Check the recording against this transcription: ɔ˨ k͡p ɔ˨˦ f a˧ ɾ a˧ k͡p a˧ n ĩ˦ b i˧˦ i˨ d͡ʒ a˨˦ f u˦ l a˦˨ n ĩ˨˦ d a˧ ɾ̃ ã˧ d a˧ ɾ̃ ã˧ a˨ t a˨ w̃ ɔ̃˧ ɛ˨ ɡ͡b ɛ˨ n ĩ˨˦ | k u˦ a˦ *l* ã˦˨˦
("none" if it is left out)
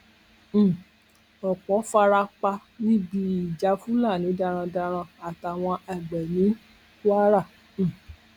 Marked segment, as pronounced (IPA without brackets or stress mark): ɾ